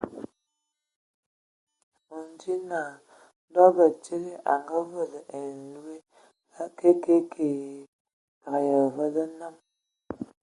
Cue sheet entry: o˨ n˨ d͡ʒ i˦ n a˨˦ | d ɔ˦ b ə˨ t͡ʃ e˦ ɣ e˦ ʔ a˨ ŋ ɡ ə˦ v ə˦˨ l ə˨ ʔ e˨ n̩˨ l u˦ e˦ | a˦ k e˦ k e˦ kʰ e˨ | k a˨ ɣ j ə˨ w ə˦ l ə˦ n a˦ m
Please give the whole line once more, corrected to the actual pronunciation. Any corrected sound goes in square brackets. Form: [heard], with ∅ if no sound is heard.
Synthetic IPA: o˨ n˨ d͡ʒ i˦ n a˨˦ | d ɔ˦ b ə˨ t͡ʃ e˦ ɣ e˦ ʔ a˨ ŋ ɡ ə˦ v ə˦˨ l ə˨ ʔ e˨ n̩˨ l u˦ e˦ | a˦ k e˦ k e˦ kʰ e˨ | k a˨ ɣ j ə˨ [v] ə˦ l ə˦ n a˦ m